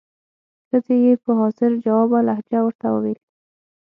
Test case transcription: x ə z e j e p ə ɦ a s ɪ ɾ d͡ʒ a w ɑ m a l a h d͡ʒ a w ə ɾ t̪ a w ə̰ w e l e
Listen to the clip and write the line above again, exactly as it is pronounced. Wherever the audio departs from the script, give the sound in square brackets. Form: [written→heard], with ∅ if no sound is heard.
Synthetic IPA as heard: x ə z e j e p ə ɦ [a→ɑ] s ɪ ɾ d͡ʒ a w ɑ [m→b] a l a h d͡ʒ a w ə ɾ t̪ a w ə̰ w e l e